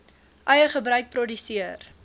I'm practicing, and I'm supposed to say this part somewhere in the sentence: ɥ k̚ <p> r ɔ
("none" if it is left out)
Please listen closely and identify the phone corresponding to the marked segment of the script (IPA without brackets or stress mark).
p